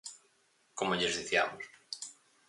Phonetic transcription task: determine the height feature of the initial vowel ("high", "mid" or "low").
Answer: mid